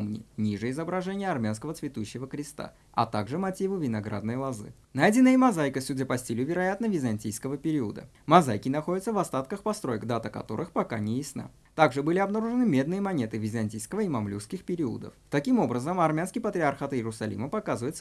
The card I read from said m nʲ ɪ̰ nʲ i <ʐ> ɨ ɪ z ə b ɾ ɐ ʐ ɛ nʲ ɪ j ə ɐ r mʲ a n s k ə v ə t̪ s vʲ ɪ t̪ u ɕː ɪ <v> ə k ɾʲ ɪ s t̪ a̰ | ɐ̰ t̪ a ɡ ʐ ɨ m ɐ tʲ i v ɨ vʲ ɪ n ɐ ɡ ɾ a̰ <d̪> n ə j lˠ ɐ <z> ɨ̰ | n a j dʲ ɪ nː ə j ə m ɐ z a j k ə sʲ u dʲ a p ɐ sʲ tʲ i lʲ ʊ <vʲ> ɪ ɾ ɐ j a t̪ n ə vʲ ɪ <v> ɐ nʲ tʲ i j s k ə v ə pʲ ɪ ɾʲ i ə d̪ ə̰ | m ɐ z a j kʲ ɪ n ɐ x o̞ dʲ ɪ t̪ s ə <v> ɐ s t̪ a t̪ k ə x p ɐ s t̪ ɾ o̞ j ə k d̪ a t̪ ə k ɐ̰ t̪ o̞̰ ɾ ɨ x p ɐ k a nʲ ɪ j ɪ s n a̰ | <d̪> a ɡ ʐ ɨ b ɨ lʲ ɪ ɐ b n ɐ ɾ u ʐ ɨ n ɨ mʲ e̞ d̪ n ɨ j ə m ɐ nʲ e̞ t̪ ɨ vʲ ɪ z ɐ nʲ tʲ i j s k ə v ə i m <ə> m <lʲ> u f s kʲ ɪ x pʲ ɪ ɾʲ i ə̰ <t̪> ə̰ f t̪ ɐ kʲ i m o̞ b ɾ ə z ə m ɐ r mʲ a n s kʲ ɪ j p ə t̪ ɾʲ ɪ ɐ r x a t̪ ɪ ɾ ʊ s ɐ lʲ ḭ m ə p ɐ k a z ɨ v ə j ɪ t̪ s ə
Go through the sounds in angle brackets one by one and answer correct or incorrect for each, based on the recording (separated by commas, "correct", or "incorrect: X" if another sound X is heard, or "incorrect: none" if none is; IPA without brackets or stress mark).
correct, correct, correct, correct, correct, incorrect: z, correct, incorrect: t̪, incorrect: ɐ, correct, incorrect: d̪